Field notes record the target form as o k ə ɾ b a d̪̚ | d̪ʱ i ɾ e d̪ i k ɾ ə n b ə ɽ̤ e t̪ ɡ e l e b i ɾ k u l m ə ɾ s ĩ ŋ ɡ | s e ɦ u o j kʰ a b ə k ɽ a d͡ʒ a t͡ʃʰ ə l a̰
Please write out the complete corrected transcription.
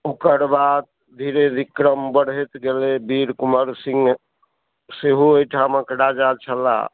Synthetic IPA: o k ə ɾ b a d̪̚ | d̪ʱ i ɾ e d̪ i k ɾ ə m b ə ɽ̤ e t̪ ɡ e l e b i ɾ k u m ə ɾ s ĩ ŋ ɡ | s e ɦ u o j ʈʰ a m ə k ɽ a d͡ʒ a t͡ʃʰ ə l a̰

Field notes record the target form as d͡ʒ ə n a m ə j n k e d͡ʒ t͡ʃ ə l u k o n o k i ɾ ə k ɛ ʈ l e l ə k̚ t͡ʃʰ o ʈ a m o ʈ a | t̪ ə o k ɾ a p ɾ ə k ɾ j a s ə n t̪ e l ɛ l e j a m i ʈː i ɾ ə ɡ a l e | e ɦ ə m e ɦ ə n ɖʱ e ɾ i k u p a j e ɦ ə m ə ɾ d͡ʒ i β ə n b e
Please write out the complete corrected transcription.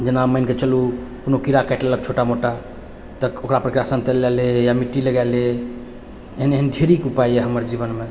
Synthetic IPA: d͡ʒ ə n a m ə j n k e t͡ʃ ə l u k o n o k i ɾ a k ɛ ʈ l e l ə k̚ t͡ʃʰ o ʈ a m o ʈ a | t̪ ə o k ɾ a p ɾ ə k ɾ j a s ə n t̪ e l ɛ l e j a m i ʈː i l ə ɡ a l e | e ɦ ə n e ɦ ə n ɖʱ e ɾ i k u p a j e ɦ ə m ə ɾ d͡ʒ i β ə n m e

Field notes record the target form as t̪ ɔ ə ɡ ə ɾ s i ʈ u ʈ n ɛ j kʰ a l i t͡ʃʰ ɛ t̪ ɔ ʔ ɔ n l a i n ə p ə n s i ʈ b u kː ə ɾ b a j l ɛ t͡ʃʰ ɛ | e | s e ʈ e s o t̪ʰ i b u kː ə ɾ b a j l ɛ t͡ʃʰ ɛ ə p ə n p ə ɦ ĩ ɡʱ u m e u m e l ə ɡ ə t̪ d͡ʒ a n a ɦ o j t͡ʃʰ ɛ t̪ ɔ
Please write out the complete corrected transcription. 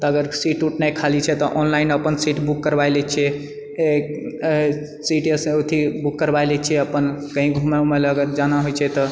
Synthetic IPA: t̪ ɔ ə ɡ ə ɾ s i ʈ u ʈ n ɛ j kʰ a l i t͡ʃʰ ɛ t̪ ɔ ʔ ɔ n l a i n ə p ə n s i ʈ b u kː ə ɾ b a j l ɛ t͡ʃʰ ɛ | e | s i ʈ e s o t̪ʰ i b u kː ə ɾ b a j l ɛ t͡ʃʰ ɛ ə p ə n k ə ɦ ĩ ɡʱ u m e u m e l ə ɡ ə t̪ d͡ʒ a n a ɦ o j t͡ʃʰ ɛ t̪ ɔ

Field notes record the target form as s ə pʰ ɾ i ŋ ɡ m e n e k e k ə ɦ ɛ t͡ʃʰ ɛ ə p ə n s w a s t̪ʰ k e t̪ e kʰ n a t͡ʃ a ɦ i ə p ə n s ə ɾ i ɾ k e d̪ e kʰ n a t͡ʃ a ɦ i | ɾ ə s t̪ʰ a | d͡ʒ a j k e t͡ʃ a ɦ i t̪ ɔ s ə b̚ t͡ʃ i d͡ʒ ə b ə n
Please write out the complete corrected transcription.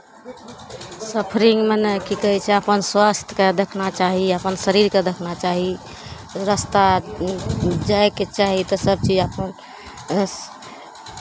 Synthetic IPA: s ə pʰ ɾ i ŋ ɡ m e n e k i k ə ɦ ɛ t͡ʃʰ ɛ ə p ə n s w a s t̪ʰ k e d̪ e kʰ n a t͡ʃ a ɦ i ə p ə n s ə ɾ i ɾ k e d̪ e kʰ n a t͡ʃ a ɦ i | ɾ ə s t̪ a | d͡ʒ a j k e t͡ʃ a ɦ i t̪ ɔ s ə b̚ t͡ʃ i d͡ʒ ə p ə n

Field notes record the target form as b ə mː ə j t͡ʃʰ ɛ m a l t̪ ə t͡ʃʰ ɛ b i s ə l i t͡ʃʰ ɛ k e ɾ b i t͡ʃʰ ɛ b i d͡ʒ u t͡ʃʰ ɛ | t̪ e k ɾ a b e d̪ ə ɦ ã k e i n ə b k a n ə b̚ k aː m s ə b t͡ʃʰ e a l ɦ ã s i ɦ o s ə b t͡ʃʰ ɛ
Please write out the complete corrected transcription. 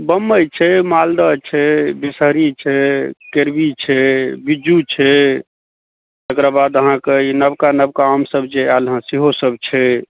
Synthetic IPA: b ə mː ə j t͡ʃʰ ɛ m a l d̪ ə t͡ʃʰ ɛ b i s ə ɾ i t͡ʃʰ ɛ k e ɾ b i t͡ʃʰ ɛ b i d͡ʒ u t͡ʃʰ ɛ | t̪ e k ɾ a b a d̪ ə ɦ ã k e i n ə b k a n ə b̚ k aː m s ə b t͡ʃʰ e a l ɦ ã s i ɦ o s ə b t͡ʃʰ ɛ

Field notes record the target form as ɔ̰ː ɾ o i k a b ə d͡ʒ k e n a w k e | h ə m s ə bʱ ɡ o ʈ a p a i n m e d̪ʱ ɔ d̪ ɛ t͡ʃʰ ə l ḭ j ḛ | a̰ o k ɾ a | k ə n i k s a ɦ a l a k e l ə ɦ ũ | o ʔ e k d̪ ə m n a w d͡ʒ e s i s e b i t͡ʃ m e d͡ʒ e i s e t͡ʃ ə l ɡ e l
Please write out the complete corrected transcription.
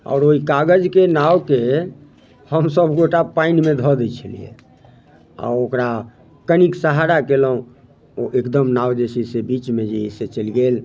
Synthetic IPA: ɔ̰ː ɾ o i k a ɡ ə d͡ʒ k e n a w k e | h ə m s ə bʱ ɡ o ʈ a p a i n m e d̪ʱ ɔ d̪ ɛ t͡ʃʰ ə l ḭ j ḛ | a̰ o k ɾ a | k ə n i k s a ɦ a ɾ a k e l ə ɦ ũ | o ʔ e k d̪ ə m n a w d͡ʒ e s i s e b i t͡ʃ m e d͡ʒ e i s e t͡ʃ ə l ɡ e l

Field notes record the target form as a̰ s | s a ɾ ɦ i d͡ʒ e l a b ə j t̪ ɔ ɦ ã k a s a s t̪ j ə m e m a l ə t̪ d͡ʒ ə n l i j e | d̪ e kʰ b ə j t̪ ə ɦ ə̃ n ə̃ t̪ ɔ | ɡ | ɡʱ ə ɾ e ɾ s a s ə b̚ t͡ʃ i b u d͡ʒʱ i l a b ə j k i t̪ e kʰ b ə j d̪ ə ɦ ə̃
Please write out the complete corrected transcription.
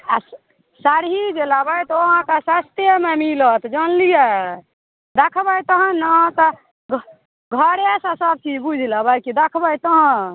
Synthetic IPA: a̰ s | s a ɾ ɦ i d͡ʒ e l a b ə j t̪ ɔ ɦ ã k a s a s t̪ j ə m e m i l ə t̪ d͡ʒ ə n l i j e | d̪ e kʰ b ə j t̪ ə ɦ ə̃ n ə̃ t̪ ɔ | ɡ | ɡʱ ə ɾ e s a s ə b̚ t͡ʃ i b u d͡ʒʱ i l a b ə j k i d̪ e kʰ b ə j t̪ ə ɦ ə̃

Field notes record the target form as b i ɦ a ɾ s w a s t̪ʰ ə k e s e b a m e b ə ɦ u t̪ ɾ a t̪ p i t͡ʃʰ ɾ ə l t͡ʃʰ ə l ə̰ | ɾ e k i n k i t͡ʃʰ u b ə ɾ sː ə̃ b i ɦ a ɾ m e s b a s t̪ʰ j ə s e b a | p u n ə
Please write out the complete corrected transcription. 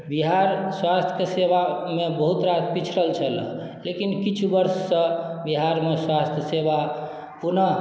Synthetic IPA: b i ɦ a ɾ s w a s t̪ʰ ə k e s e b a m e b ə ɦ u t̪ ɾ a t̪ p i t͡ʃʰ ɾ ə l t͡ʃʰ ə l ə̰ | l e k i n k i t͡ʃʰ u b ə ɾ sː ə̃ b i ɦ a ɾ m e s w a s t̪ʰ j ə s e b a | p u n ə

